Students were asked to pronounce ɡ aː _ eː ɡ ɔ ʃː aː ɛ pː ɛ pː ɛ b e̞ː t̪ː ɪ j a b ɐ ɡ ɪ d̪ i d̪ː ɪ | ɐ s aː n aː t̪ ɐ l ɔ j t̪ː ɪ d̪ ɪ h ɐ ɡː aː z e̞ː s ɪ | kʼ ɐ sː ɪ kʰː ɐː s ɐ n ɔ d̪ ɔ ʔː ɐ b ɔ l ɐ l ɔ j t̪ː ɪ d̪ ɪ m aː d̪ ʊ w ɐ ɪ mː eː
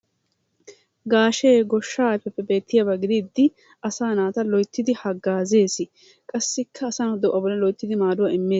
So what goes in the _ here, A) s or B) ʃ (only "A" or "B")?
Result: B